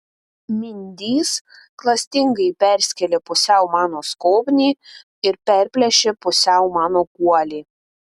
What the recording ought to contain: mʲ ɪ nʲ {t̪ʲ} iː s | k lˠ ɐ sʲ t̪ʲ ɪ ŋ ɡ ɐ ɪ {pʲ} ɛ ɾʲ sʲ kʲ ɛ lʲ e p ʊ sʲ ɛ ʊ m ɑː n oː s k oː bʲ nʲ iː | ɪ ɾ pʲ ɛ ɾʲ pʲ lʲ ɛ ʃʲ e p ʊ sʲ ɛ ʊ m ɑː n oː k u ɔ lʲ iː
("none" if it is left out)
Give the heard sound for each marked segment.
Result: d̪ʲ, pʲ

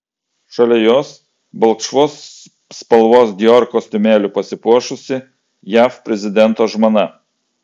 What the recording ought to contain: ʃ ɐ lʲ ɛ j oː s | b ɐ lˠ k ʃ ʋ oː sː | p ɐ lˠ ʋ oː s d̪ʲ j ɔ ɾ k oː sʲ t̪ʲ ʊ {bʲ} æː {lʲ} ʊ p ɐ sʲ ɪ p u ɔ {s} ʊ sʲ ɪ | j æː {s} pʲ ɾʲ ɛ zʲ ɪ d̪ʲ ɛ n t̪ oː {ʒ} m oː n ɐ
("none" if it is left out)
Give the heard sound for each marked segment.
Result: mʲ, lʲ, ʃ, f, ʒ

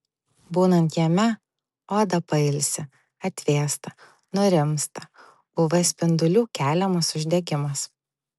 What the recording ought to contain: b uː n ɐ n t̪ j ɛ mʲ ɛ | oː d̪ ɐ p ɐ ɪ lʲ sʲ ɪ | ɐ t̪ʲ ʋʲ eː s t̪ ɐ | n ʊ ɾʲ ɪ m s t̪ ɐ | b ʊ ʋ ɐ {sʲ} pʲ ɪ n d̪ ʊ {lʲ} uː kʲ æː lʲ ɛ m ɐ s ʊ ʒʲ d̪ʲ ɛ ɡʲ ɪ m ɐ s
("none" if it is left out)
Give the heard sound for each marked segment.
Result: sʲ, lʲ

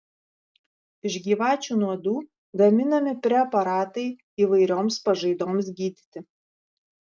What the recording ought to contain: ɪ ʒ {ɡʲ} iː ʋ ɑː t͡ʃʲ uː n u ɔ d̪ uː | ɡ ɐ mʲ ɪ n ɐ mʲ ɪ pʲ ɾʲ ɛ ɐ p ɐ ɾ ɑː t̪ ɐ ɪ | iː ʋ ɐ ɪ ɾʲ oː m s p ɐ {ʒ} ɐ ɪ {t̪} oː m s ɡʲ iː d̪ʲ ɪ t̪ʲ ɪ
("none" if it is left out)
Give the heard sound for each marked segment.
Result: ɡʲ, ʒ, d̪

